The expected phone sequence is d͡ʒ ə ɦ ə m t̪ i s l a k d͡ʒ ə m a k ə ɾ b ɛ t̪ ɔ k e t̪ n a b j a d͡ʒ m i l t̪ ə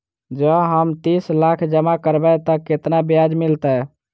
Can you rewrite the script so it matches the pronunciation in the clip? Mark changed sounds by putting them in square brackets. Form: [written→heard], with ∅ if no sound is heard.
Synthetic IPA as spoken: d͡ʒ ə ɦ ə m t̪ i s l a [k→kʰ] d͡ʒ ə m a k ə ɾ b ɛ t̪ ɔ k e t̪ n a b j a d͡ʒ m i l t̪ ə